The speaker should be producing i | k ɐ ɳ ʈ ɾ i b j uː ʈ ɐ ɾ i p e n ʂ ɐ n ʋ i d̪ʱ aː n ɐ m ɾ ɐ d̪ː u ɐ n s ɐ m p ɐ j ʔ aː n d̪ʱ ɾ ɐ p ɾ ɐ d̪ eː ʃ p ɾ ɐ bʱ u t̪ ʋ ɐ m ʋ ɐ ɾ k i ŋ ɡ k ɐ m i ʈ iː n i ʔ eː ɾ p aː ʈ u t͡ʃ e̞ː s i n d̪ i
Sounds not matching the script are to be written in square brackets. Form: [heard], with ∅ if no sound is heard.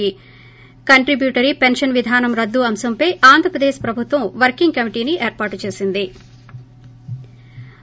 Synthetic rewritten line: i | k ɐ ɳ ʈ ɾ i b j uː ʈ ɐ ɾ i p e n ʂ ɐ n ʋ i d̪ʱ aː n ɐ m ɾ ɐ d̪ː u ɐ [m] s ɐ m p ɐ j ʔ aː n d̪ʱ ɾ ɐ p ɾ ɐ d̪ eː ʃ p ɾ ɐ bʱ u t̪ ʋ ɐ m ʋ ɐ ɾ k i ŋ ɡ k ɐ m i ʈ iː n i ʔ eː ɾ p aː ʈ u t͡ʃ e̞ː s i n d̪ i